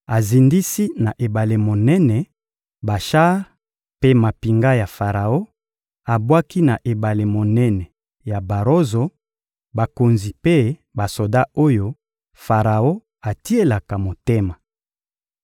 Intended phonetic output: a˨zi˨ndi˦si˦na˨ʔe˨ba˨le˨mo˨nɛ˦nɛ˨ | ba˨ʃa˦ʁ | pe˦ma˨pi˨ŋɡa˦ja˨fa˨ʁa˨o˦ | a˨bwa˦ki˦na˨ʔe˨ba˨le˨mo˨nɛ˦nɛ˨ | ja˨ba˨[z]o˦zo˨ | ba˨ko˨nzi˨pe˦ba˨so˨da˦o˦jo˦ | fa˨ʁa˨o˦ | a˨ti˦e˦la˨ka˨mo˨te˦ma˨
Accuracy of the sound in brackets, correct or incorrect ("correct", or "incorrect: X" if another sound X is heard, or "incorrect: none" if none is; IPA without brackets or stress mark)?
incorrect: ʁ